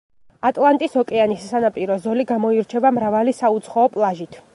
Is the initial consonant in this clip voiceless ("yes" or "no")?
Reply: yes